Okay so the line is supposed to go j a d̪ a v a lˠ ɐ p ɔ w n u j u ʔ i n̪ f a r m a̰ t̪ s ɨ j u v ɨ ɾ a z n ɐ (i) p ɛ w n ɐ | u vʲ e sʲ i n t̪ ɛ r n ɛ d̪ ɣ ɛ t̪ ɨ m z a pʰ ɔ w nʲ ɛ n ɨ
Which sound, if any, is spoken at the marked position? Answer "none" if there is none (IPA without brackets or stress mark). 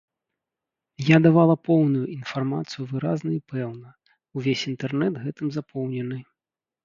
i